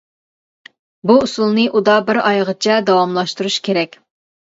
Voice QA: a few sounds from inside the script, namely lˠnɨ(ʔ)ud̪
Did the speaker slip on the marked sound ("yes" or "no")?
no